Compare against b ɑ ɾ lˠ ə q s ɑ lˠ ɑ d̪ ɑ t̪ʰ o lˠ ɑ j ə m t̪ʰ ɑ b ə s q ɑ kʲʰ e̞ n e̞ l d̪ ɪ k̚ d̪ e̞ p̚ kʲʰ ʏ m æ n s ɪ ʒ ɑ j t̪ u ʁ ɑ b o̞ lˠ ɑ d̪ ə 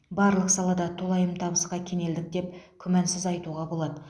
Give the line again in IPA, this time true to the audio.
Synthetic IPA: b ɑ ɾ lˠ ə q s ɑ lˠ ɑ d̪ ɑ t̪ʰ o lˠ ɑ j ə m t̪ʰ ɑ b ə s q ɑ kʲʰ e̞ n e̞ l d̪ ɪ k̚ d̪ e̞ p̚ kʲʰ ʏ m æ n s ɪ z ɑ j t̪ u ʁ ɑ b o̞ lˠ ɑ d̪ ə